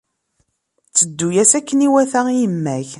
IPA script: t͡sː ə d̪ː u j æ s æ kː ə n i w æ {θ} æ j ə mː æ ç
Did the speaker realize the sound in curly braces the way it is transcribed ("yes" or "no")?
yes